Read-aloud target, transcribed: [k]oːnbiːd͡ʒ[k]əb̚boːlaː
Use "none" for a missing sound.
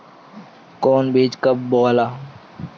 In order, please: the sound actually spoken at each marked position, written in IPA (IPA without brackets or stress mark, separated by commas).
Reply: k, k